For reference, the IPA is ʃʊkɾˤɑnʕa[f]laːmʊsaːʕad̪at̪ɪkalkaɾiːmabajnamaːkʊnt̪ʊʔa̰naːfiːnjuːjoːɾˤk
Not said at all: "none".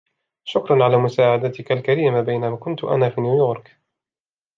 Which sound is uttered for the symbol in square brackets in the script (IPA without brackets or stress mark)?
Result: none